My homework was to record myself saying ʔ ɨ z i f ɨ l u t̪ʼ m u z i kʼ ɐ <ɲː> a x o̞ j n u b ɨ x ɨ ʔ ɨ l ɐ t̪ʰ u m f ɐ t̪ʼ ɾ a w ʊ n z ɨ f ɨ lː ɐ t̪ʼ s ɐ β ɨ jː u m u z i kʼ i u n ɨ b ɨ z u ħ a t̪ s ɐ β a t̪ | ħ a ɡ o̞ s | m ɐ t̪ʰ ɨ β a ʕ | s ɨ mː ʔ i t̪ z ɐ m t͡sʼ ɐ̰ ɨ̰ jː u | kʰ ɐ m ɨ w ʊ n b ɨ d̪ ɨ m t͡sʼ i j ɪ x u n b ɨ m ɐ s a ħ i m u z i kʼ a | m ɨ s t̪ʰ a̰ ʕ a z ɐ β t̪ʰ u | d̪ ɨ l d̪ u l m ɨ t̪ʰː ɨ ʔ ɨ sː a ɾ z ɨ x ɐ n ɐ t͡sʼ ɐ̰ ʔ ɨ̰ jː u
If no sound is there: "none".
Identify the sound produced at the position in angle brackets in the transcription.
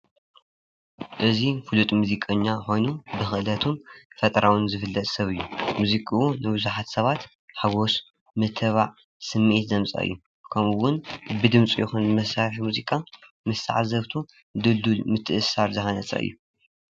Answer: ɲː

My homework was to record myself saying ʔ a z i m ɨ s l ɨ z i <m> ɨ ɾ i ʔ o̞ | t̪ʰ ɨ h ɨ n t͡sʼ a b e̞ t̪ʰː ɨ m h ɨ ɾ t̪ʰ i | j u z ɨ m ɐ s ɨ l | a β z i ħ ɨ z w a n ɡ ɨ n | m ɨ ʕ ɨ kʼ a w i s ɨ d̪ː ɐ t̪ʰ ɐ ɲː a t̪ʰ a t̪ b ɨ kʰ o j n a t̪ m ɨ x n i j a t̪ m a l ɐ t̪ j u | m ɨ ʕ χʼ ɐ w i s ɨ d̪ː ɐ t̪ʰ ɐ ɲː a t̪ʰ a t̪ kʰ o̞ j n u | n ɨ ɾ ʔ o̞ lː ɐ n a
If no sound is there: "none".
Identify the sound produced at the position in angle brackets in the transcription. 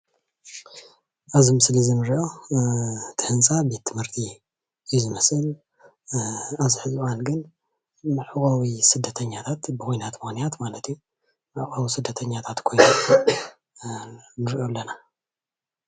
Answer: n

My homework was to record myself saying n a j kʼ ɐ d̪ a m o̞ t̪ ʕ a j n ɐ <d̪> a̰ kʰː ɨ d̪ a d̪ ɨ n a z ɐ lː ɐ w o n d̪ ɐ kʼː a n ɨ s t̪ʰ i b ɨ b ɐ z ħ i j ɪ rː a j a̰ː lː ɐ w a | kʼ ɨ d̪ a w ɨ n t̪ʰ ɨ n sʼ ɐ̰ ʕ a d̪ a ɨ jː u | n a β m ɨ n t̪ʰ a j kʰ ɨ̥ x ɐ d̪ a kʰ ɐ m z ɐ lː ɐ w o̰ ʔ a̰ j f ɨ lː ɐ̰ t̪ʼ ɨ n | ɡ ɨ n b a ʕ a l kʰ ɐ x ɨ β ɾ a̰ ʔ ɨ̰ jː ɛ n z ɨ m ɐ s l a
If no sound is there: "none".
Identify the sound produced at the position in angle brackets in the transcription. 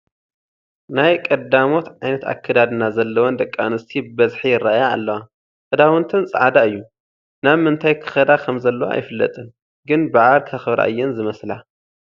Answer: t̪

